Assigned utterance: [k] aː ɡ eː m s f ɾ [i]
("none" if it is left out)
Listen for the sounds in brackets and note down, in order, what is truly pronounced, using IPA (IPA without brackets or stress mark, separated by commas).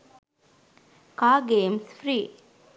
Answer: k, iː